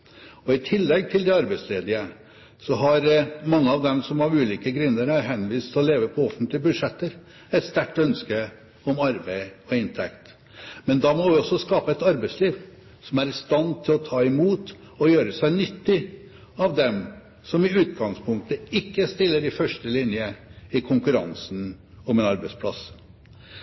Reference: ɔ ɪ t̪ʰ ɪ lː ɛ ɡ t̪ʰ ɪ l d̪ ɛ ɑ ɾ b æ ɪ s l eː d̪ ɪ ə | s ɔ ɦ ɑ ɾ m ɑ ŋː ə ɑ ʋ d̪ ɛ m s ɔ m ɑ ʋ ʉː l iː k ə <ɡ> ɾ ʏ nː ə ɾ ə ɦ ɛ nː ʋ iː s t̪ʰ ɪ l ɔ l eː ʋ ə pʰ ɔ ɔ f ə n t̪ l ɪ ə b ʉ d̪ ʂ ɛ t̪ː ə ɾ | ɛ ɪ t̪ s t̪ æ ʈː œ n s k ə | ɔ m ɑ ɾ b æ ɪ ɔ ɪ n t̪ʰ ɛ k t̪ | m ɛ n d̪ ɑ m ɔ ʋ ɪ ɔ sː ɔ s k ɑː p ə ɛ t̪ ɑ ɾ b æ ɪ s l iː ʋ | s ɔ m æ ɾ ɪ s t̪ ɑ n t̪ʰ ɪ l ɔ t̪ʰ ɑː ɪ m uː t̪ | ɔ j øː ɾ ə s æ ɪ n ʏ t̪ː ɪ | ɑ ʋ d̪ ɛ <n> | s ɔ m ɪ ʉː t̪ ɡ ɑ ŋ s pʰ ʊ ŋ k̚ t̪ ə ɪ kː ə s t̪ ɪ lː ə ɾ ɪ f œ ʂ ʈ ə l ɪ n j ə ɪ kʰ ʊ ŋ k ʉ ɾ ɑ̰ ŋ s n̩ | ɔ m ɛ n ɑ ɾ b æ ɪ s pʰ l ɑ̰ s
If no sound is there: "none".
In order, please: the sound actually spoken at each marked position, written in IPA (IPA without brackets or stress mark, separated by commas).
ɡ, m